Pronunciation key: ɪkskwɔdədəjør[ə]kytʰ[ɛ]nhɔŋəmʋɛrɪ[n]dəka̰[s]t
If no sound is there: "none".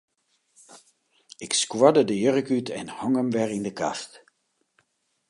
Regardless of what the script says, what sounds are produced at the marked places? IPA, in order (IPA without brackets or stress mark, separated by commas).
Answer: ə, ɛ, n, s